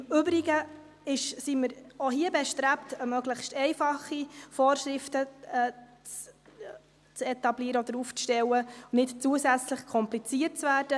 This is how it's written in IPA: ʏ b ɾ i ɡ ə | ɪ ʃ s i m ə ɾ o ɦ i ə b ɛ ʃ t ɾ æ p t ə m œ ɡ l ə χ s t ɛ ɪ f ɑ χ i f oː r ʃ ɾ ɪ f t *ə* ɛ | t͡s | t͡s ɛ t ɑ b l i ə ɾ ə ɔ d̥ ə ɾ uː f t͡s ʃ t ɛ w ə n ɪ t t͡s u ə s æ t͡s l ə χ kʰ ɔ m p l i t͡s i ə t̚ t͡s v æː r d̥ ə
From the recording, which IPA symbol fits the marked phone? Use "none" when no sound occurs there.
ə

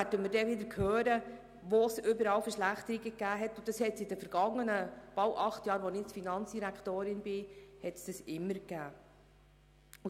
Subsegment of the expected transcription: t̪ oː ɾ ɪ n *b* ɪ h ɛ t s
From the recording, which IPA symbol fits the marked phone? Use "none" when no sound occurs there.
b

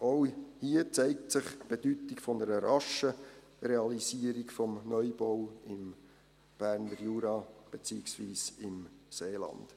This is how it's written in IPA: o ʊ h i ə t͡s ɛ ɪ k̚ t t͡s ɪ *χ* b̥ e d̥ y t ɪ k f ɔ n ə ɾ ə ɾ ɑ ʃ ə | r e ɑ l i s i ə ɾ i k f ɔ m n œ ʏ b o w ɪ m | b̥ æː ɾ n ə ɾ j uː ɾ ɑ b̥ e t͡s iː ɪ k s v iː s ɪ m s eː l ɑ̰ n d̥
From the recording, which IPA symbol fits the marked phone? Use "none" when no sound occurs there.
χ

